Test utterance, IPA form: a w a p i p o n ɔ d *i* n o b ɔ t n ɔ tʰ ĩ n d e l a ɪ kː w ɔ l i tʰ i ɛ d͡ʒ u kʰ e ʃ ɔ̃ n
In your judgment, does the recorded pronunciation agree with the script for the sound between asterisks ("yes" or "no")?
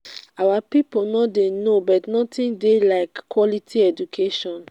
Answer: no